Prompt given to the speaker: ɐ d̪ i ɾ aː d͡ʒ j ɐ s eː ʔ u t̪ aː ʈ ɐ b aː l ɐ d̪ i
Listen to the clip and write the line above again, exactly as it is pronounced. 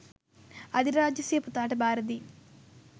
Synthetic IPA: ɐ d̪ i ɾ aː d͡ʒ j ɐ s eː p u t̪ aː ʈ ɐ b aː ɾ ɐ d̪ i